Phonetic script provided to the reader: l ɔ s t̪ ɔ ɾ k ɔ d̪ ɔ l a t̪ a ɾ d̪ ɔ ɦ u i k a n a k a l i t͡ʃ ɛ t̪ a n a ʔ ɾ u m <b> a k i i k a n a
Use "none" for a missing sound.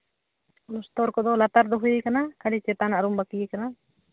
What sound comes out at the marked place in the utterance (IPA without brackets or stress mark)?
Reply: b